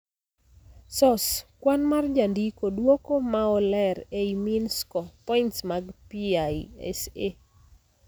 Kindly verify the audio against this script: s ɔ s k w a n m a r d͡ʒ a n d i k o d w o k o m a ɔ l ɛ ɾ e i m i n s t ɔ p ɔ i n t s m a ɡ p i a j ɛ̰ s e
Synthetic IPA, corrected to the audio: s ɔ s k w a n m a r d͡ʒ a n d i k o d w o k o m a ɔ l ɛ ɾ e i m i n s k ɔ p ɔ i n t s m a ɡ p i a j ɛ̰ s e